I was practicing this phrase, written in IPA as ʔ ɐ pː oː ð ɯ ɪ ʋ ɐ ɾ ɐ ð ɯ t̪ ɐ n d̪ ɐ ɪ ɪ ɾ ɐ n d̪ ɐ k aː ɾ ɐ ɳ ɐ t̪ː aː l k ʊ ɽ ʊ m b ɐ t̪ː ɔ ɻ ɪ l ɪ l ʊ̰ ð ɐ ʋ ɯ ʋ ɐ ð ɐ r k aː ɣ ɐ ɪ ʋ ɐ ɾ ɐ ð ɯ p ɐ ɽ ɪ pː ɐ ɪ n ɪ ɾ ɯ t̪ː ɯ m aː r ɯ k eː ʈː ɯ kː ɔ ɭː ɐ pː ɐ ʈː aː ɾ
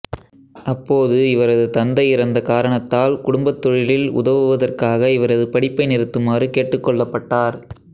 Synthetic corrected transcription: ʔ ɐ pː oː ð ɯ ɪ ʋ ɐ ɾ ɐ ð ɯ t̪ ɐ n d̪ ɐ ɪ ɪ ɾ ɐ n d̪ ɐ k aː ɾ ɐ ɳ ɐ t̪ː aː l k ʊ ɽ ʊ m b ɐ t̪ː ɔ ɻ ɪ l ɪ l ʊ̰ ð ɐ ʋ ɯ ʋ ɐ ð ɐ r k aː ɣ ɐ ɪ ʋ ɐ ɾ ɐ ð ɯ p ɐ ɽ ɪ pː ɐ ɪ n ɪ ɾ ɯ t̪ː ɯ m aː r ɯ k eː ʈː ɯ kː ɔ ɭː ɐ pː ɐ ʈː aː ɾ